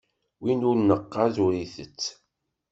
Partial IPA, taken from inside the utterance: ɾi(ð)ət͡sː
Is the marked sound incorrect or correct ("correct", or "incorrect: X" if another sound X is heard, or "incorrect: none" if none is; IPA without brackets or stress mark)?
incorrect: θ